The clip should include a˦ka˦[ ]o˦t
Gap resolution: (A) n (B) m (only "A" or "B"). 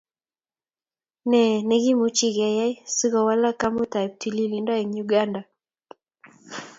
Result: B